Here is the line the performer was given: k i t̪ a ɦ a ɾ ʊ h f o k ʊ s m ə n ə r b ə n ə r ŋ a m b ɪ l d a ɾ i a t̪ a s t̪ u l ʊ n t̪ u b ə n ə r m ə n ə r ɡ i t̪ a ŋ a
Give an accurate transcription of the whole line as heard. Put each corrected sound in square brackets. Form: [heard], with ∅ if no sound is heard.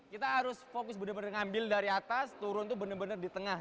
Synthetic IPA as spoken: k i t̪ a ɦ a ɾ ʊ [s] f o k ʊ s [b] ə n ə r b ə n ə r ŋ a m b ɪ l d a ɾ i a t̪ a s t̪ u [ɾ] ʊ n t̪ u b ə n ə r [b] ə n ə r [d] i t̪ [ə] ŋ a